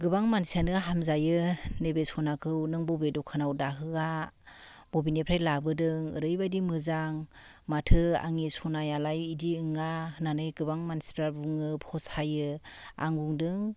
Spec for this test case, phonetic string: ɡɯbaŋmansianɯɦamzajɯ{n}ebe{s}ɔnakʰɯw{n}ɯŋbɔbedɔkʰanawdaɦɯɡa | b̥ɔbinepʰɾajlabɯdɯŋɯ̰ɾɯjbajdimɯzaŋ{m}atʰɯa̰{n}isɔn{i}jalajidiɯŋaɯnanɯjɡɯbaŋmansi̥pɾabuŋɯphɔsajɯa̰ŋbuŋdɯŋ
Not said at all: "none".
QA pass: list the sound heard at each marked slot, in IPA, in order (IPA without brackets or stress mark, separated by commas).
n, s, n, m, ŋ, a